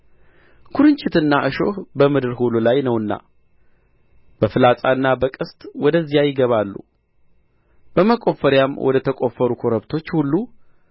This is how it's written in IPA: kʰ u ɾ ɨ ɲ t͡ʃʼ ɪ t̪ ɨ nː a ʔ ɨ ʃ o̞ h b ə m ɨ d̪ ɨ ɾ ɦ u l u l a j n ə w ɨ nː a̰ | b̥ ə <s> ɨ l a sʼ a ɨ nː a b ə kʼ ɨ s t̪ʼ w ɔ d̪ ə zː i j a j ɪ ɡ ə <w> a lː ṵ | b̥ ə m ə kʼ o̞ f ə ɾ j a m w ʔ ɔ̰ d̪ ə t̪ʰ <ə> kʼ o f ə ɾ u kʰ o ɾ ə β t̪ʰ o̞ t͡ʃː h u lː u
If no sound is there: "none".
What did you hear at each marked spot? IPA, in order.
f, β, ə

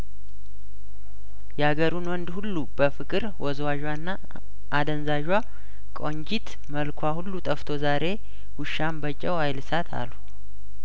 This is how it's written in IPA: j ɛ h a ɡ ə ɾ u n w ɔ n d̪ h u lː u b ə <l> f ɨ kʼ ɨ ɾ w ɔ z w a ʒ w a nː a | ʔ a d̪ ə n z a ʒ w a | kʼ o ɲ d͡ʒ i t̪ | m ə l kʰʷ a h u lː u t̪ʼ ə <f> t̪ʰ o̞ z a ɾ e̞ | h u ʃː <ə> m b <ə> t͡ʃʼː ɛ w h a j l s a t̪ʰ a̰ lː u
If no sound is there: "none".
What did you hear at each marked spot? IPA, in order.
none, f, a, ə

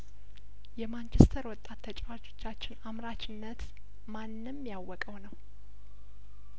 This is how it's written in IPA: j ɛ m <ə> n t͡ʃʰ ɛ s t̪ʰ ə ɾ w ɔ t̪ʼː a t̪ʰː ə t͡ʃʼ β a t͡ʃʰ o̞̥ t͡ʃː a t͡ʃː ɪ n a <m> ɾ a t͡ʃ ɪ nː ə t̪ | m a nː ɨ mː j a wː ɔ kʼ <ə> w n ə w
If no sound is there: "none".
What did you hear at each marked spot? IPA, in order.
a, m, ə

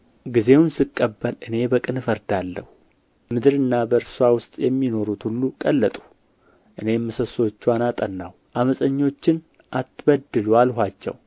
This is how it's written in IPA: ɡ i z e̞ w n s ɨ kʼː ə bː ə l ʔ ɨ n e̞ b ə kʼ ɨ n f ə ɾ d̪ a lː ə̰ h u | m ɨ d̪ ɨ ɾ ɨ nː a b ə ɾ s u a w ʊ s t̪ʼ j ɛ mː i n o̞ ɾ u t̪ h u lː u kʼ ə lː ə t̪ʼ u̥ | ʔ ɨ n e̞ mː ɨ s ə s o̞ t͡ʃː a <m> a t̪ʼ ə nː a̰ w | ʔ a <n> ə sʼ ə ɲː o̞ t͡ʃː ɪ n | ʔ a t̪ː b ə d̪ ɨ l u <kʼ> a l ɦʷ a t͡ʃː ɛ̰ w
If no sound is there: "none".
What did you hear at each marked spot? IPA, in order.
n, m, none

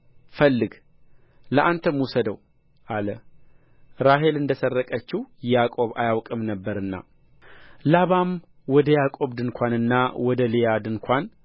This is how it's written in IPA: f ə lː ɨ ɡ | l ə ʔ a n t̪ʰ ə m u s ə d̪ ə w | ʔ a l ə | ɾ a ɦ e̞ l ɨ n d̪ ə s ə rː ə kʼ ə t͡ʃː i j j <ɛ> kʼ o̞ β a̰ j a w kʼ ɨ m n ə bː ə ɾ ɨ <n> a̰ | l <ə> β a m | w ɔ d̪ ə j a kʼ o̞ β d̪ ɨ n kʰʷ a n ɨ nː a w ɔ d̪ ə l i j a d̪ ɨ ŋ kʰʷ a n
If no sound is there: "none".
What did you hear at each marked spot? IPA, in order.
a, nː, a

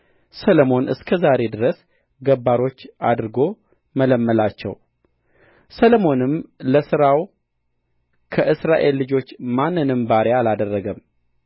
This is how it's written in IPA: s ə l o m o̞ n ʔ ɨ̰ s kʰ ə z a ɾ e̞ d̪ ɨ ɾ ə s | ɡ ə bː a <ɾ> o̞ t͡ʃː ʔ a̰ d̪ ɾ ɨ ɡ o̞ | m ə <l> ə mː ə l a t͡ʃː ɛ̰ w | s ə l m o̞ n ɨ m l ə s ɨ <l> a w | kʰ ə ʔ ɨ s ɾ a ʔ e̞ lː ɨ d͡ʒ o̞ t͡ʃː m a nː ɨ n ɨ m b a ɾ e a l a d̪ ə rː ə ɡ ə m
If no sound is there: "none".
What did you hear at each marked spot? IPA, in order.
ɾ, l, ɾ

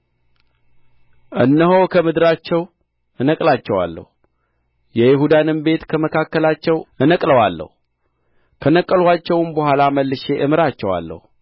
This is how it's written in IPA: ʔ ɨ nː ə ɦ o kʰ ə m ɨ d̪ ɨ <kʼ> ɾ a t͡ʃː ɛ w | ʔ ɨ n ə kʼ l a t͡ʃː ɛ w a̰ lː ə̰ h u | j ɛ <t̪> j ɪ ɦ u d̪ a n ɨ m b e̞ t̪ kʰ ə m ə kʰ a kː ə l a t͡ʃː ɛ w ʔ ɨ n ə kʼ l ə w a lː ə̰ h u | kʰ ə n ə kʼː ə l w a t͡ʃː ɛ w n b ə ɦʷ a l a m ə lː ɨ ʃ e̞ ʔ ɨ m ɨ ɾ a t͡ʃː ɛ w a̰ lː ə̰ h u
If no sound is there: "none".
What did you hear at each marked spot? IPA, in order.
none, none

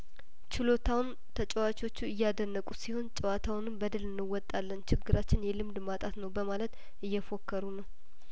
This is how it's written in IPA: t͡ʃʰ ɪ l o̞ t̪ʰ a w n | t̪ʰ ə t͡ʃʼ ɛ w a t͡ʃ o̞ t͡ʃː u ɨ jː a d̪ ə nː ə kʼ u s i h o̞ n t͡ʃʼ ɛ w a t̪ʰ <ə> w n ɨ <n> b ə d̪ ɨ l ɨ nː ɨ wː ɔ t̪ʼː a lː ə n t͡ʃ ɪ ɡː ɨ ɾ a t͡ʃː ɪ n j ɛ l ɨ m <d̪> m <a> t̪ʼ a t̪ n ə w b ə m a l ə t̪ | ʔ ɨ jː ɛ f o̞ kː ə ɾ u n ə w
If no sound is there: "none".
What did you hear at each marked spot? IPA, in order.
a, m, d̪, a

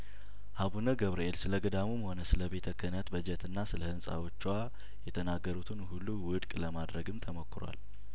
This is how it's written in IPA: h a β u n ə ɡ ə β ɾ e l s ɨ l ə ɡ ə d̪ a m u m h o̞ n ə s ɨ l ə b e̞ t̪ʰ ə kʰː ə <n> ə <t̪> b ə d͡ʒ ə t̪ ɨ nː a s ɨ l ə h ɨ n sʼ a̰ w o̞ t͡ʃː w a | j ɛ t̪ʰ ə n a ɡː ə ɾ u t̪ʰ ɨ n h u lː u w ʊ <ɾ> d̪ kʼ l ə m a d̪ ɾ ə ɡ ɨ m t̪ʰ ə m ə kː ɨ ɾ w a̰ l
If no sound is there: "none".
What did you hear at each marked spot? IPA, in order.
n, t̪, none

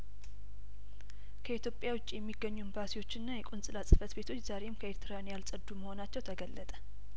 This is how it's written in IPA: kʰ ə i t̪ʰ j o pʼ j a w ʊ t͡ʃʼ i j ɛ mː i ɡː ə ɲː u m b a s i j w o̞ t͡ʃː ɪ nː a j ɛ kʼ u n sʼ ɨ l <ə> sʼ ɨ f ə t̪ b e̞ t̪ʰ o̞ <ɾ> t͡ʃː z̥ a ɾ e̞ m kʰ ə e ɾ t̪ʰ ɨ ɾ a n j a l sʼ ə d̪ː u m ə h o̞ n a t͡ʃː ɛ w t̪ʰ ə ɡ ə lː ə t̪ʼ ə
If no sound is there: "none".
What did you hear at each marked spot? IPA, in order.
a, none

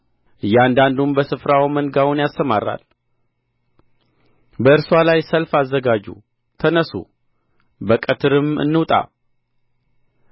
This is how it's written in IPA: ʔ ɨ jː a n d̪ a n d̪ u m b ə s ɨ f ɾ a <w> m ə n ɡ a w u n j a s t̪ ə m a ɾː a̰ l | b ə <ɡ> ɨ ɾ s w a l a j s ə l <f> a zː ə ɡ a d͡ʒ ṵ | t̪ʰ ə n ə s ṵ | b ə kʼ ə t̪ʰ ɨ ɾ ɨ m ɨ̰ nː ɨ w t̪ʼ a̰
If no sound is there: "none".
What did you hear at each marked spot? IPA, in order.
w, none, f

